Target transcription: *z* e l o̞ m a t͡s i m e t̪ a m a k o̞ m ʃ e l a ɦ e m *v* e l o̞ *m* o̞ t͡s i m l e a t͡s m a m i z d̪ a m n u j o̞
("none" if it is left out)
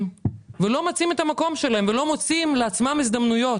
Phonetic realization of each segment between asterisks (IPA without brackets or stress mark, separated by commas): v, v, m